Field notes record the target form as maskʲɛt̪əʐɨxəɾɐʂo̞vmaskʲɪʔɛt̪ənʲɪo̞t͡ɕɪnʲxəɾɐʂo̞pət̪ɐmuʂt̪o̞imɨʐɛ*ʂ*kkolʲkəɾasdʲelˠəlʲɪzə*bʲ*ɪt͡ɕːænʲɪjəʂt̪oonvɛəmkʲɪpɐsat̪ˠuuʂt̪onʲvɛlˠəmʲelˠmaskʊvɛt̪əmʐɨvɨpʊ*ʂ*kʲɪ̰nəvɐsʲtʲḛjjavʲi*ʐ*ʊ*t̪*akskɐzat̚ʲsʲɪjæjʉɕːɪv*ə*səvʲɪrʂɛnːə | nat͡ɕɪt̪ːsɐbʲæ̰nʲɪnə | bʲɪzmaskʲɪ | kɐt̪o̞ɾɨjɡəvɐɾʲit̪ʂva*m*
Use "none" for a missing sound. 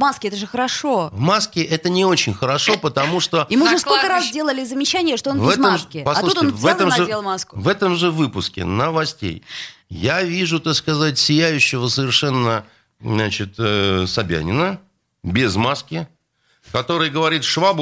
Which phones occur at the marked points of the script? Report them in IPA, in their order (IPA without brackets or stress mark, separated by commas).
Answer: s, mʲ, s, ʐ, t̪, ə, b